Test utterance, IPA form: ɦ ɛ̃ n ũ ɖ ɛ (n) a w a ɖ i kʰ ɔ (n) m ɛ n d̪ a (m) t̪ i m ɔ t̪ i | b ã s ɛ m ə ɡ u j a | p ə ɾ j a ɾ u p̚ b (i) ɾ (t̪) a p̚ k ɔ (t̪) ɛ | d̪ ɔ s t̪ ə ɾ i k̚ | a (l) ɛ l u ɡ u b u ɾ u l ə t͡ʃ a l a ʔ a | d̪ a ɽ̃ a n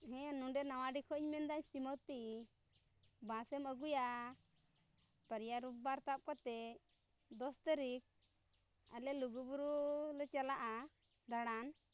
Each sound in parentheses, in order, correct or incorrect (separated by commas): correct, incorrect, incorrect, incorrect, correct, correct, correct